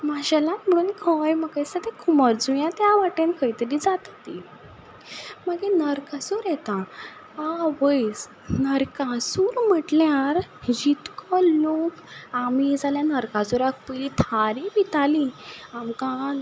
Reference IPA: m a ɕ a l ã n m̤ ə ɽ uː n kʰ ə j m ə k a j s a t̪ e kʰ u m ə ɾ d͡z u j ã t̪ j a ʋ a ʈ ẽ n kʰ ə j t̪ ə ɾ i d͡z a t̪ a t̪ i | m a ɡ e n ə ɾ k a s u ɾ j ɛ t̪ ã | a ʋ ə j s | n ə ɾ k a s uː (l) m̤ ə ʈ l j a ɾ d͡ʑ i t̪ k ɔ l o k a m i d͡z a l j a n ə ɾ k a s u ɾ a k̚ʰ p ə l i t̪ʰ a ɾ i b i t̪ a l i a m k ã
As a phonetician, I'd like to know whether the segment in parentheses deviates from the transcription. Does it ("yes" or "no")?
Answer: yes